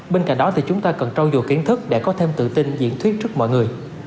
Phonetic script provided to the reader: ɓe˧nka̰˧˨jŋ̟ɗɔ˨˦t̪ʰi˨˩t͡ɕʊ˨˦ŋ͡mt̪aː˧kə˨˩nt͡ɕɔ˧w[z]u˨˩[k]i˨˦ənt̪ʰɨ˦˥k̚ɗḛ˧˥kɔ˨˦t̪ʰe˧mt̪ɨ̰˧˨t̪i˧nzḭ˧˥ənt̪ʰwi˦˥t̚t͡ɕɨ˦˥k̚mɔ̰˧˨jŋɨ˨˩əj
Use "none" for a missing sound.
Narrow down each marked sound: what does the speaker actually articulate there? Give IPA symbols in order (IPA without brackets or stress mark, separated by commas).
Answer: z, k